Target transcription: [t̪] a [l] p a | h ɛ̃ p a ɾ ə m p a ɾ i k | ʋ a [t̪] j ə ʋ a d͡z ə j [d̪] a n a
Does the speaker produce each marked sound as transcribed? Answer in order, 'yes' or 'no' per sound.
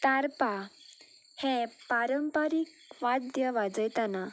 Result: yes, no, no, no

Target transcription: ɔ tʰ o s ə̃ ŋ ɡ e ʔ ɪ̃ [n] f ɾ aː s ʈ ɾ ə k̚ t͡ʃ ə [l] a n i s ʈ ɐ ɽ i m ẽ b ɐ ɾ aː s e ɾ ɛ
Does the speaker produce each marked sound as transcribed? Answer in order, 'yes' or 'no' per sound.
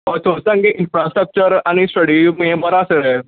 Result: yes, no

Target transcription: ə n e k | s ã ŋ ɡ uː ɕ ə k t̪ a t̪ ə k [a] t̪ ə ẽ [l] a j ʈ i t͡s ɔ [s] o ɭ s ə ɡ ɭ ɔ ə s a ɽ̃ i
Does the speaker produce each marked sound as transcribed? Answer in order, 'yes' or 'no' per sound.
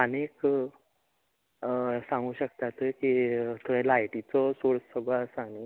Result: no, yes, yes

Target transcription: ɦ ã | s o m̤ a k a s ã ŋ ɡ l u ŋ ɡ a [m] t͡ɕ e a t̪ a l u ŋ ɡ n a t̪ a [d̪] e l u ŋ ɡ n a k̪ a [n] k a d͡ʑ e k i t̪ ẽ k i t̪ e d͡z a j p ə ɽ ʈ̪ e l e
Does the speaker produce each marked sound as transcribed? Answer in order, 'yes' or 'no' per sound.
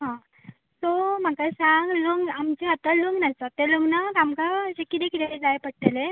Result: yes, no, no

